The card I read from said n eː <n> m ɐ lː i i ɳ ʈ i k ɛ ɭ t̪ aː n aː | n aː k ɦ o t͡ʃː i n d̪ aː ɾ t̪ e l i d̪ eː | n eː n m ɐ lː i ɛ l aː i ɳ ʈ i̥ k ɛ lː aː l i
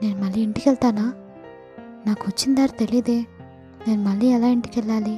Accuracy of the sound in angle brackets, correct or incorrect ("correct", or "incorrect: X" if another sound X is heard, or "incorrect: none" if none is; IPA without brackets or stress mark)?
correct